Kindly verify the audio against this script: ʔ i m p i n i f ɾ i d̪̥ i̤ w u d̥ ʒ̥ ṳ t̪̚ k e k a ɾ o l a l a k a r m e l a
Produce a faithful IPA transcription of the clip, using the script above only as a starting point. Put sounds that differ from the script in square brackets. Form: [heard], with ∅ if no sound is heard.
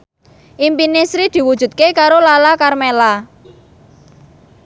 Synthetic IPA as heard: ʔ i m p i n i [s] ɾ i d̪̥ i̤ w u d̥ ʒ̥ ṳ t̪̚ k e k a ɾ o l a l a k a r m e l a

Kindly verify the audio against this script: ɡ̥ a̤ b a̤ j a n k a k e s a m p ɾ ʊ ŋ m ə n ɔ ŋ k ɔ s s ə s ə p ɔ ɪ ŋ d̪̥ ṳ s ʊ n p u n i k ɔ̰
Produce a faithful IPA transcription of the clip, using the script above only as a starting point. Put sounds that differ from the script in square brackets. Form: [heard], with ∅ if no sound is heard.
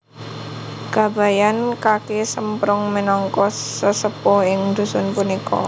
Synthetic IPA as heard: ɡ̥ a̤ b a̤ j a n k a k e s [ə] m p ɾ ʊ ŋ m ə n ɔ ŋ k ɔ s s ə s ə p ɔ ɪ ŋ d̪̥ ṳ s ʊ n p u n i k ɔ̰

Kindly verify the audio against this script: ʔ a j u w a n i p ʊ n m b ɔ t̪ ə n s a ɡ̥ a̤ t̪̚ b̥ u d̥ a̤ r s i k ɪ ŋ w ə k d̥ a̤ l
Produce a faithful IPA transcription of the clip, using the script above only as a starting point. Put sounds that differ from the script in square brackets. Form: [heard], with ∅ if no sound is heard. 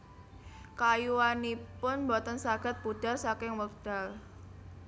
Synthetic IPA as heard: [k] a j u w a n i p ʊ n m b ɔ t̪ ə n s a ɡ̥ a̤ t̪̚ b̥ u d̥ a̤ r s [a] k ɪ ŋ w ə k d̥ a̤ l

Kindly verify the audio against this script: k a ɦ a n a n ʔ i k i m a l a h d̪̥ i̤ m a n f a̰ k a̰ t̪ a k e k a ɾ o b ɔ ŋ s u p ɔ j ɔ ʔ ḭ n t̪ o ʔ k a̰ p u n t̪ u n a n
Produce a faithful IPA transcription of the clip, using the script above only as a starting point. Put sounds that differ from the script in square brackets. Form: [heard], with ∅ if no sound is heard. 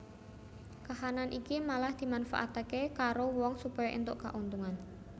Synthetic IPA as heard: k a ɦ a n a n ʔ i k i m a l a h d̪̥ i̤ m a n f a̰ [ʔ] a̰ t̪ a k e k a ɾ o [w] ɔ ŋ s u p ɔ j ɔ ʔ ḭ n t̪ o ʔ k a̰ [ʔ] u n t̪ u [ŋ] a n

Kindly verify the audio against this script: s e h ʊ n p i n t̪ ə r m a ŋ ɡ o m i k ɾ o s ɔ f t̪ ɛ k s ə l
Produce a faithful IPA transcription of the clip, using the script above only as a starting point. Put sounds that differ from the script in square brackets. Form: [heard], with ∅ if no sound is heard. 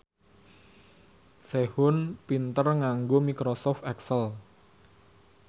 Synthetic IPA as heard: s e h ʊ n p i n t̪ ə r [ŋ] a ŋ ɡ o m i k ɾ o s ɔ f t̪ ɛ k s ə l

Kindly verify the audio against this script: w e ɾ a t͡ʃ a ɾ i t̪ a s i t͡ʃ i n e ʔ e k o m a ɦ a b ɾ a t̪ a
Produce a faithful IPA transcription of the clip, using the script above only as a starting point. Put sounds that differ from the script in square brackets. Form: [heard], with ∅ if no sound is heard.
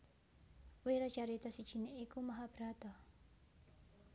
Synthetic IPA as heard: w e ɾ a t͡ʃ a ɾ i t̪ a s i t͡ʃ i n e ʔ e k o m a ɦ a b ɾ a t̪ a

